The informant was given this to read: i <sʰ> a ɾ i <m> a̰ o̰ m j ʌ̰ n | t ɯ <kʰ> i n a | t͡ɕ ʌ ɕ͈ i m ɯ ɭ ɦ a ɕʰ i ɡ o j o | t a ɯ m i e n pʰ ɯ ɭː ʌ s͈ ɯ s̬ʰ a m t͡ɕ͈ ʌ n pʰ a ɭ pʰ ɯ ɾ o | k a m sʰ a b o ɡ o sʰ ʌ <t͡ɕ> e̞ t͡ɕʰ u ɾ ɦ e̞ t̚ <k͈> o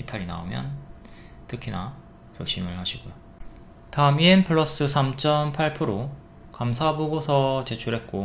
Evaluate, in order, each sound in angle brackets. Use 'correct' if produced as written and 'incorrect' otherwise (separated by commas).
incorrect, incorrect, correct, correct, correct